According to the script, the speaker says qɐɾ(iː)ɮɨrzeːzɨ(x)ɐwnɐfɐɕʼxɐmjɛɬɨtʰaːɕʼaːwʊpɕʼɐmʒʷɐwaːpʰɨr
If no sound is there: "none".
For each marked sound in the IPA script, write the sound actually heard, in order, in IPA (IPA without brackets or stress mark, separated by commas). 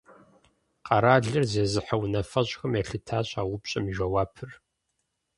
aː, ħ